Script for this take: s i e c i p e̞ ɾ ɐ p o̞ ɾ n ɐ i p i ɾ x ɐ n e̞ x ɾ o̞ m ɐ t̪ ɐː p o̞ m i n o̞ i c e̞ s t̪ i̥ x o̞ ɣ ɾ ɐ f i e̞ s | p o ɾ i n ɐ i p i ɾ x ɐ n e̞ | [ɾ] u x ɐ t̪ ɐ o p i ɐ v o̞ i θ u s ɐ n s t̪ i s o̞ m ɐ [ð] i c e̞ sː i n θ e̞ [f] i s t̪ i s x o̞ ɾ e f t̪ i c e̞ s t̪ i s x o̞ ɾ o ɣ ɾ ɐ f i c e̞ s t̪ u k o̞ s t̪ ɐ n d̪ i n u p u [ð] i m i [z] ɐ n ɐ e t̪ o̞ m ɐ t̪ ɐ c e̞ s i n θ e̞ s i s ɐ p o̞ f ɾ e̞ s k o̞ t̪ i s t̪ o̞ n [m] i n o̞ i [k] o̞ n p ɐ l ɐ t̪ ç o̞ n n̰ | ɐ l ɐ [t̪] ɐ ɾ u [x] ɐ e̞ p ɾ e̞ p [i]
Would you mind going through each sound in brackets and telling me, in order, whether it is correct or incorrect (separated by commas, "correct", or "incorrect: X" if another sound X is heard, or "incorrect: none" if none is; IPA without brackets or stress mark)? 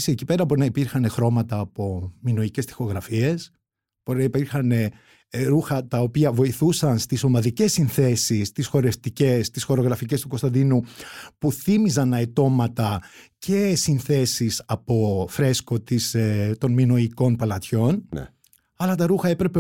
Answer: correct, correct, incorrect: s, incorrect: θ, correct, correct, correct, correct, correct, incorrect: e